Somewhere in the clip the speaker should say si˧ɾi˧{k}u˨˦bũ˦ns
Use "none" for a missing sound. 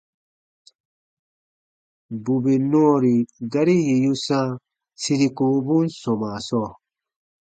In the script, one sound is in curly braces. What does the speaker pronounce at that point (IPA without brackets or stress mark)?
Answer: k